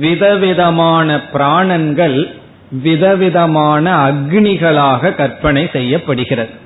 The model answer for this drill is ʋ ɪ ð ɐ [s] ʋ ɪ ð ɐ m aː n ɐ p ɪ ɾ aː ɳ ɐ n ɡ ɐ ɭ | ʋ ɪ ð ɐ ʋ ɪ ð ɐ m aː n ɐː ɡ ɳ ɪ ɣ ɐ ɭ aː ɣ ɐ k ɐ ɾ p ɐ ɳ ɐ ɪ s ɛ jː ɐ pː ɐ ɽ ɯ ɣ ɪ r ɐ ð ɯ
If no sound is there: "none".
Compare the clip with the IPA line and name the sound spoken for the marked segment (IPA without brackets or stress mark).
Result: none